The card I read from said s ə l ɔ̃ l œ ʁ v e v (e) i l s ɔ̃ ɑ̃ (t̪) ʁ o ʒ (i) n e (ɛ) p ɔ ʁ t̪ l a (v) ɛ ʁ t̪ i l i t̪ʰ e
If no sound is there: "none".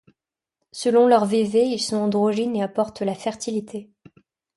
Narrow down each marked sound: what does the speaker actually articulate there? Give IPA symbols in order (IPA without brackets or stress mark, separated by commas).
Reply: e, d̪, i, a, f